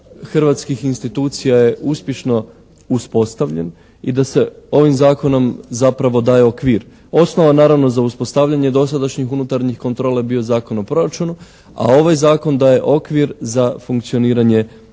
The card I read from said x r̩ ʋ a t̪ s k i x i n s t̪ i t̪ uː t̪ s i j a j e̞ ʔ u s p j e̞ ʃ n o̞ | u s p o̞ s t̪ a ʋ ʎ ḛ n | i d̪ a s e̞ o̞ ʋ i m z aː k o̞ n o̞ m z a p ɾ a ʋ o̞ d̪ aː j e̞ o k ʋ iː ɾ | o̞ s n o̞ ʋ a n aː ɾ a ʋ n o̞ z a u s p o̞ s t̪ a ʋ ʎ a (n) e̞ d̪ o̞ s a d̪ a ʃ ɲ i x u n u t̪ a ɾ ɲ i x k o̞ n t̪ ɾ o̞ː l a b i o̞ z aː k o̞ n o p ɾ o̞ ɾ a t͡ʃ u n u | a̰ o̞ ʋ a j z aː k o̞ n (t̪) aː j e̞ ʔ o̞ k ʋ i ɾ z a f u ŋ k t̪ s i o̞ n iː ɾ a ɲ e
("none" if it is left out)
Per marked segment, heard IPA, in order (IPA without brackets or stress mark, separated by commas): ɲ, d̪